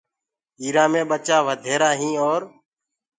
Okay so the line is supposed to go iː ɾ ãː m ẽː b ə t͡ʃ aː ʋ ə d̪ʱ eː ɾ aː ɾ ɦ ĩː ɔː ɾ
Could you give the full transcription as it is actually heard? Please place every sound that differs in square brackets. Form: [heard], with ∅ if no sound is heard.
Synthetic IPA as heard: iː ɾ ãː m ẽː [ɓ] ə t͡ʃ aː ʋ ə d̪ʱ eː ɾ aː [∅] ɦ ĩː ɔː ɾ